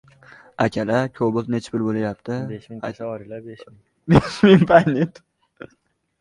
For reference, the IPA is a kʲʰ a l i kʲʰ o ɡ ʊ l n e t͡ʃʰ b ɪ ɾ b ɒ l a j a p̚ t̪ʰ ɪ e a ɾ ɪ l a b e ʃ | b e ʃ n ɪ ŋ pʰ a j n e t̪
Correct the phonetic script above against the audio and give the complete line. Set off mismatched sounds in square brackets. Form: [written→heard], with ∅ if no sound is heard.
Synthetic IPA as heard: a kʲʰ a l [i→a] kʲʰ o [ɡ→b] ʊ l n e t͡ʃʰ b ɪ ɾ b [ɒ→o] l a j a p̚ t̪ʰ ɪ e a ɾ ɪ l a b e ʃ | b e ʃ [n→m] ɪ ŋ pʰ a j n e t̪